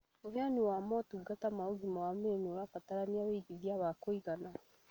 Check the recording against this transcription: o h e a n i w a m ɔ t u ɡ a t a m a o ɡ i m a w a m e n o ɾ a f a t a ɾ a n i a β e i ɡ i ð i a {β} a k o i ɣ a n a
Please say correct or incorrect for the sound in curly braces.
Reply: correct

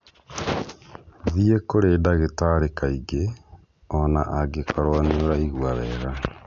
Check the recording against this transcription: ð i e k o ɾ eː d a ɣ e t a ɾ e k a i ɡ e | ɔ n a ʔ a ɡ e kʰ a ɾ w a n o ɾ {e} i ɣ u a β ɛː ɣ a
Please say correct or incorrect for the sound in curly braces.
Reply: incorrect: a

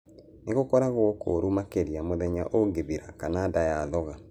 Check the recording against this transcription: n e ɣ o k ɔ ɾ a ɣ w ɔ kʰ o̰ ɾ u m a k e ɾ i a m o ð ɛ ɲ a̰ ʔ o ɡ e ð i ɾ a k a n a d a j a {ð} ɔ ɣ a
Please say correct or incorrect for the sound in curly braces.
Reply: correct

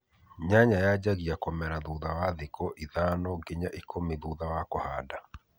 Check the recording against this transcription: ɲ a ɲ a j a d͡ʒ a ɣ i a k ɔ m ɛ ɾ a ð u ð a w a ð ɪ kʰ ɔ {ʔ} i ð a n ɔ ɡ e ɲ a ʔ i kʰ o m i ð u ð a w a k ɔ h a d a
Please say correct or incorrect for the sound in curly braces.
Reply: correct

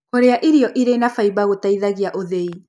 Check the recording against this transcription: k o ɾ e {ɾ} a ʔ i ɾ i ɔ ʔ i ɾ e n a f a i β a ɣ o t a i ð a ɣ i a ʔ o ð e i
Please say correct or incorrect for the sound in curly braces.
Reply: incorrect: none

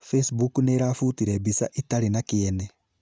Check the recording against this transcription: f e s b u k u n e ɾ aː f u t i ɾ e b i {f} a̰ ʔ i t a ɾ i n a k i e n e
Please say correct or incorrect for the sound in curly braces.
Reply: incorrect: s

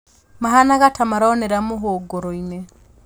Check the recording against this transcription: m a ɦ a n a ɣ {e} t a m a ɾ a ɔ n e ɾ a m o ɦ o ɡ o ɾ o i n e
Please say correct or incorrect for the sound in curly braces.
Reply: incorrect: a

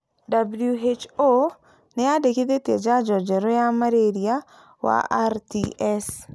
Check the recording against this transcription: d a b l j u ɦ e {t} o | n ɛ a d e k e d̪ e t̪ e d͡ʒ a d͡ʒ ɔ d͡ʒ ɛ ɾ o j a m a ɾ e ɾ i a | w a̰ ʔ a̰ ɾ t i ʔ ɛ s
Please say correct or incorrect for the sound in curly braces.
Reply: incorrect: t͡ʃ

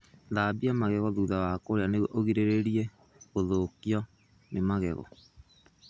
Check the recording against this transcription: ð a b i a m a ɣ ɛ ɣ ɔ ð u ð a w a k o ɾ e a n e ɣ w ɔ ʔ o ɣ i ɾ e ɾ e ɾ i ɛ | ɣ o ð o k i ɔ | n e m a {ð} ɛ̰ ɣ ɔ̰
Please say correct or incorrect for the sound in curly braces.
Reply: incorrect: ɣ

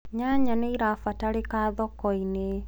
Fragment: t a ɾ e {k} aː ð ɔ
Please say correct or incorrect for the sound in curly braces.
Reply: correct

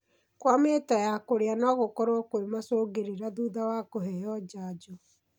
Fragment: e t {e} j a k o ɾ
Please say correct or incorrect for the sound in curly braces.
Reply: incorrect: a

